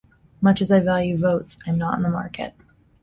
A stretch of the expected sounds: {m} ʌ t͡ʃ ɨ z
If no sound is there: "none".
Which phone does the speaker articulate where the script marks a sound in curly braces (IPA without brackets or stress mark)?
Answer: m